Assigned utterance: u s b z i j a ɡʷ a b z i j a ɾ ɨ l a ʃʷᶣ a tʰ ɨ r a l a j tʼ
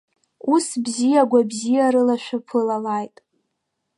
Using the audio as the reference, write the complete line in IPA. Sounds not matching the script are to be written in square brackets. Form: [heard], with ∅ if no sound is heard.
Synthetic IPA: u s b z i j a ɡʷ a b z i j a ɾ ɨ l a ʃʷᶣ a [pʰ] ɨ [l] a l a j tʼ